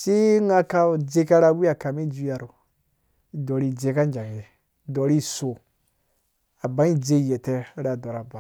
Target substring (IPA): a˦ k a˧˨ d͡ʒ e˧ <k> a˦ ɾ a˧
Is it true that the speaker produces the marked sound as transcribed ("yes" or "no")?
yes